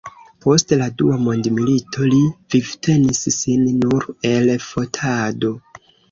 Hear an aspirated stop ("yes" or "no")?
yes